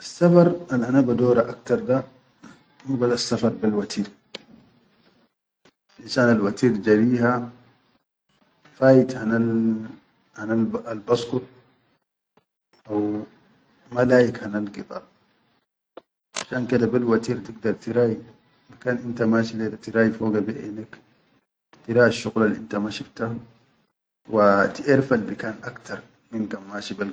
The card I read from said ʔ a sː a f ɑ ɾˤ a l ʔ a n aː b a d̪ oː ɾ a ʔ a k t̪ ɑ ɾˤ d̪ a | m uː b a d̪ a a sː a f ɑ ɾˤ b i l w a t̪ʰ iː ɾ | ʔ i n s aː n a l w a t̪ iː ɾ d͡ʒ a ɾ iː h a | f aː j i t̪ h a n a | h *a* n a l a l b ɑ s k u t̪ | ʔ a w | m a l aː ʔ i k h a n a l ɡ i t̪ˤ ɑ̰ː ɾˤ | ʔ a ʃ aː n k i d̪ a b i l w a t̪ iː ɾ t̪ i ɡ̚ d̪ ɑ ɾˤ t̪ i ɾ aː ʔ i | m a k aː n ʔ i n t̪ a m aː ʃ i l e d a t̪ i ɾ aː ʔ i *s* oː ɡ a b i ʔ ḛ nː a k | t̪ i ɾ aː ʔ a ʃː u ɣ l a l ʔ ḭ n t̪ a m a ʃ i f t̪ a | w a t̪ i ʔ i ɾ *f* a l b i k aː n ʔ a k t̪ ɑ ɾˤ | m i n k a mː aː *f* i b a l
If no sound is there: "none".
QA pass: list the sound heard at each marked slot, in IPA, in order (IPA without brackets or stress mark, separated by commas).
a, f, f, ʃ